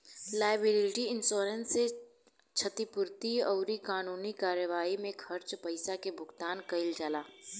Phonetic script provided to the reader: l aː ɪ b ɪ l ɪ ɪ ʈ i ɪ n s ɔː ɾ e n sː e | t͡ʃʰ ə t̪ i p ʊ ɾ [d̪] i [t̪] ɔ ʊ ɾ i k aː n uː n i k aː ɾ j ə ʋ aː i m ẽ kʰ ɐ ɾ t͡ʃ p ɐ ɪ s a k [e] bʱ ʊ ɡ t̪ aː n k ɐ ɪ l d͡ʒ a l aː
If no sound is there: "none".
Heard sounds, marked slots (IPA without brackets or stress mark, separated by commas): t̪, none, e